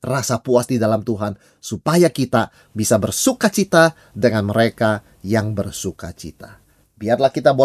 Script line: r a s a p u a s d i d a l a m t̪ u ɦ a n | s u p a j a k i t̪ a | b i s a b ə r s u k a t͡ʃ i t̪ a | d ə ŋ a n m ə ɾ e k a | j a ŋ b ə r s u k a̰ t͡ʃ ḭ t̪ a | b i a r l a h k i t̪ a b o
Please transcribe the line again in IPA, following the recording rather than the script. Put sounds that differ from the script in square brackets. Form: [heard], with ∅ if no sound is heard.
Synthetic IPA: r a s a p u a s d i d a l a m t̪ u ɦ a n | s u p a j a k i t̪ a | b i s a b ə r s u k a t͡ʃ i t̪ a | d ə ŋ a n m ə ɾ e k a | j a ŋ b ə r s u k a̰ t͡ʃ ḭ t̪ a | b i a r l a h k i t̪ a b o